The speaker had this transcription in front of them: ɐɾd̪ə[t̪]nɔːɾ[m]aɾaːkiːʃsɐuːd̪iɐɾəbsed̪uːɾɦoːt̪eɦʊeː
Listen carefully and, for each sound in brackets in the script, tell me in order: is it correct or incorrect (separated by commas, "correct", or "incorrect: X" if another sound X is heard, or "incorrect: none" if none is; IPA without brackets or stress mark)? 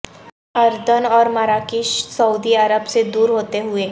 incorrect: none, correct